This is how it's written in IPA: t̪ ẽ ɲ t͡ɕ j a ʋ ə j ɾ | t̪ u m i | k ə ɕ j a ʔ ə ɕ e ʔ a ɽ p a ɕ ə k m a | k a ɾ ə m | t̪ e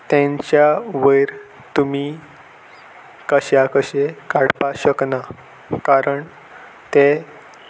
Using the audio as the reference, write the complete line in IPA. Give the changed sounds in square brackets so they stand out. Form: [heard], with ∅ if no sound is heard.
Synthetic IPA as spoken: t̪ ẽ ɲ t͡ɕ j a ʋ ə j ɾ | t̪ u m i | k ə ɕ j a [k] ə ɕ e [k] a ɽ p a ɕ ə k [n] a | k a ɾ ə [ɳ] | t̪ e